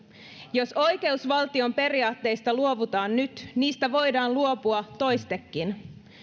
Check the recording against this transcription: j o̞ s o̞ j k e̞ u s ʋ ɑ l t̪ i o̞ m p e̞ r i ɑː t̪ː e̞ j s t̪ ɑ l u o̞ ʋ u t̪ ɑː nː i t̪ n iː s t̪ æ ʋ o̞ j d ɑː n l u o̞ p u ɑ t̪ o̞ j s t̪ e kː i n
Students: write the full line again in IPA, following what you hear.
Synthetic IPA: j o̞ s o̞ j k e̞ u s ʋ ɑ l t̪ i o̞ m p e̞ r i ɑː t̪ː e̞ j s t̪ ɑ l u o̞ ʋ u t̪ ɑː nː y t̪ n iː s t̪ æ ʋ o̞ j d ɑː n l u o̞ p u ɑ t̪ o̞ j s t̪ e kː i n